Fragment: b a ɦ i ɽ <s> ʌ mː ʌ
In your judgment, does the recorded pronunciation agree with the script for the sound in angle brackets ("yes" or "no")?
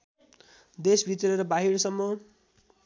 yes